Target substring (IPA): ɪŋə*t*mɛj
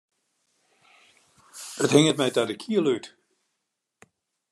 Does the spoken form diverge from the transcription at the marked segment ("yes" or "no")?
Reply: no